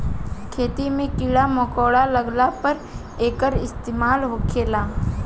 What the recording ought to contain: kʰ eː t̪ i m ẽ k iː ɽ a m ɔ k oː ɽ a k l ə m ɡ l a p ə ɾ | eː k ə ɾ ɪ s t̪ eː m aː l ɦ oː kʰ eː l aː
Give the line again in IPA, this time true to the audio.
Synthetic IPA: kʰ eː t̪ i m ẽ k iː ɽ a m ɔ k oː ɽ a l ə ɡ l a p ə ɾ | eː k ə ɾ ɪ s t̪ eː m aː l ɦ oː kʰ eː l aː